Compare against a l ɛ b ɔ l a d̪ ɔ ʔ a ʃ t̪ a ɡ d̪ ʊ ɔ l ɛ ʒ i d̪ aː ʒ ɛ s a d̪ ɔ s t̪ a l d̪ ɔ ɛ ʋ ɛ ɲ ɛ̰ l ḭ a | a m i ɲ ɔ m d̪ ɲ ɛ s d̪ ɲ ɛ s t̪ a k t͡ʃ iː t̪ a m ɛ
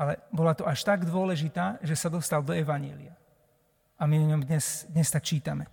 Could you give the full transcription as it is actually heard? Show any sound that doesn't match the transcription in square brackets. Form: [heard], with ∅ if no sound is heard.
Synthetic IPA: a l ɛ b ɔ l a [t̪] ɔ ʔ a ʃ t̪ a ɡ d̪ ʊ ɔ l ɛ ʒ i [t̪] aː ʒ ɛ s a d̪ ɔ s t̪ a l d̪ ɔ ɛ ʋ [a] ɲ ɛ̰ l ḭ a | a m i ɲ ɔ m d̪ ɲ ɛ s d̪ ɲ ɛ s t̪ a k t͡ʃ iː t̪ a m ɛ